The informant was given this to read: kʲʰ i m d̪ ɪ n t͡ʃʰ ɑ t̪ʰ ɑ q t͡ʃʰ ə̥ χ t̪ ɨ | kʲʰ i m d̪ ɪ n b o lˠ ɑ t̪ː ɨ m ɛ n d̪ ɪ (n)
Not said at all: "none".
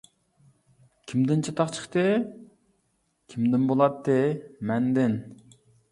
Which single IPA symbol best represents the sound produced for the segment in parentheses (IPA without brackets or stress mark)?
n